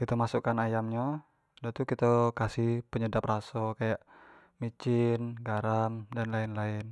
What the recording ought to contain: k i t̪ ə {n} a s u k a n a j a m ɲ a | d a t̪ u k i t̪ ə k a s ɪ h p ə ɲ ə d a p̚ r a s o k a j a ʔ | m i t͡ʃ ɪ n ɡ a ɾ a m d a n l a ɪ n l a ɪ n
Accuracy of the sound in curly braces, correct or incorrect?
incorrect